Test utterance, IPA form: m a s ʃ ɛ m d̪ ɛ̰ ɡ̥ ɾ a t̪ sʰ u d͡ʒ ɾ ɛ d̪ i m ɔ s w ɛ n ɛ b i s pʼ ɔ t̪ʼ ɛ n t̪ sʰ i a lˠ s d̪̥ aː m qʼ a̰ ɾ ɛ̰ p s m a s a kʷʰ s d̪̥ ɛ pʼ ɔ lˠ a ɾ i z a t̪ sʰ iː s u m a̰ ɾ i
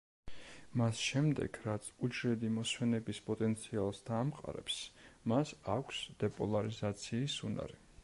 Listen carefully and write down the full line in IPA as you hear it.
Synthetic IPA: m a s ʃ ɛ m d̪ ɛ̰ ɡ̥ ɾ a t̪ sʰ u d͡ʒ ɾ ɛ d̪ i m ɔ s w ɛ n ɛ b i s pʼ ɔ t̪ʼ ɛ n t̪ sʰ i a lˠ s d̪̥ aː m qʼ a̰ ɾ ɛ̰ p s m a s a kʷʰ s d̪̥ ɛ pʼ ɔ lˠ a ɾ i z a t̪ sʰ iː s u n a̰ ɾ i